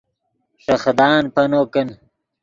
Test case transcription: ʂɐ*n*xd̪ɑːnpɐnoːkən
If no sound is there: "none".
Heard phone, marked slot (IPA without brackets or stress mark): none